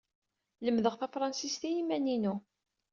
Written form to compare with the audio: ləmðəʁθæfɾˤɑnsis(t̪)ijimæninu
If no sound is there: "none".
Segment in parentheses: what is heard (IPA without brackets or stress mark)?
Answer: t̪